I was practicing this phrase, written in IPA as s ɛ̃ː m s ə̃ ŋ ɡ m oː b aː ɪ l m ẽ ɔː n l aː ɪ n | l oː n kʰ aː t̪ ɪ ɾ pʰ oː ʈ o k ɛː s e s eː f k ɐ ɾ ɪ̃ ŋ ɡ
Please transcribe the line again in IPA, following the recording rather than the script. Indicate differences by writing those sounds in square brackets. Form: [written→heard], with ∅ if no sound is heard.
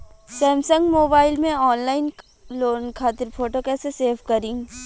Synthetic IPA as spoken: s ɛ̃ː m s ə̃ ŋ ɡ m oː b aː ɪ l m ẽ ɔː n l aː ɪ n | l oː n kʰ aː t̪ ɪ ɾ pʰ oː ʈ o k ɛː s e s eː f k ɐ ɾ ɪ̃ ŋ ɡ